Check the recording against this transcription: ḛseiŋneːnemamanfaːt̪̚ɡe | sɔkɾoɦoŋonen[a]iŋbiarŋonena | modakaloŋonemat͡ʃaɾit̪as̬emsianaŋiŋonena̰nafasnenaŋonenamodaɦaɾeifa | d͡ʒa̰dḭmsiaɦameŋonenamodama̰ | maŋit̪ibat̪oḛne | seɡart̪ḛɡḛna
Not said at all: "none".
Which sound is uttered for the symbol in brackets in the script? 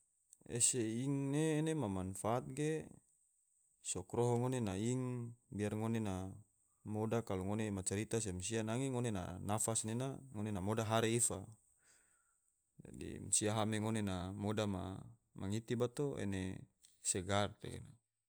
a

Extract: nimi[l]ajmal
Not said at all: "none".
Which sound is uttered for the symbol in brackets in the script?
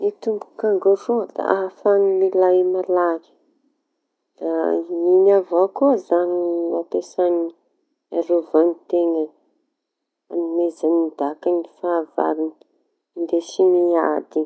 l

